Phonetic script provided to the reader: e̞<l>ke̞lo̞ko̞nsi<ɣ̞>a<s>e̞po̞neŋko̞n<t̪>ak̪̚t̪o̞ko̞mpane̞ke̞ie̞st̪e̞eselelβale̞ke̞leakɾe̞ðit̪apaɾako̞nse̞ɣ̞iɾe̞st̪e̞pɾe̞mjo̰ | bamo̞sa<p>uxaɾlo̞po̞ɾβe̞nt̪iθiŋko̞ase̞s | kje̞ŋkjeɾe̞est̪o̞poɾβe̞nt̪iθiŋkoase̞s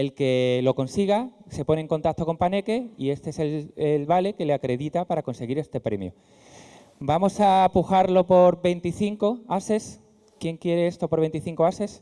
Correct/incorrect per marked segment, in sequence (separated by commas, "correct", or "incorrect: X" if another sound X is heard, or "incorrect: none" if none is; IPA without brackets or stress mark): correct, correct, correct, correct, correct